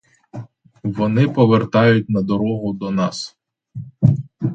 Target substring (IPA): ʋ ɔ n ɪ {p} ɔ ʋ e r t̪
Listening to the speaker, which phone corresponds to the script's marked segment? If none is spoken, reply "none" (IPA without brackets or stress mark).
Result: p